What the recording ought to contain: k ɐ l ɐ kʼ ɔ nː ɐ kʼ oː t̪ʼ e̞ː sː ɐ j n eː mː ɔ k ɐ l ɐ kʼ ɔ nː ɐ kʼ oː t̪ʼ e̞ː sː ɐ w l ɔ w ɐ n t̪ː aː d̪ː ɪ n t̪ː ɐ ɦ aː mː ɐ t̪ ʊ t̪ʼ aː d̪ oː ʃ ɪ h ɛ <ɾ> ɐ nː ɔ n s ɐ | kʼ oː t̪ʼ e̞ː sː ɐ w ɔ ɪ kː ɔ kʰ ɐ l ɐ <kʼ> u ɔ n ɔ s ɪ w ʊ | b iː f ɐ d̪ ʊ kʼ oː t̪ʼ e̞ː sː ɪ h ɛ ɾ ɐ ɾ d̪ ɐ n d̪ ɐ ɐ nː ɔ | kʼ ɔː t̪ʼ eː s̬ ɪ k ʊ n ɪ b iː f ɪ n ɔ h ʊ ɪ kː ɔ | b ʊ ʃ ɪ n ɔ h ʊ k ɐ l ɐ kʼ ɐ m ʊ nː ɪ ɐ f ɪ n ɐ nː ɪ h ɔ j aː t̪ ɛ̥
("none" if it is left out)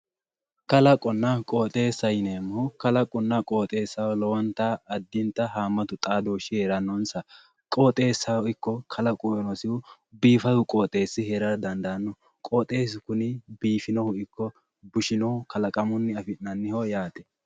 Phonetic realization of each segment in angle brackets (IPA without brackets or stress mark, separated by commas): ɾ, kʼ